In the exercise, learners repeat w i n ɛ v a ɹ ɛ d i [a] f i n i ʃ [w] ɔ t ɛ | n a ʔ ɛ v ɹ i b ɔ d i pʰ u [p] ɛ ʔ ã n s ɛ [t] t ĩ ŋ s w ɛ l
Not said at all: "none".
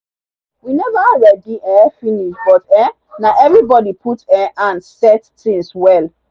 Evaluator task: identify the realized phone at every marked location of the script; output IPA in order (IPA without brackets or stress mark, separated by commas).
ɛ, b, t, t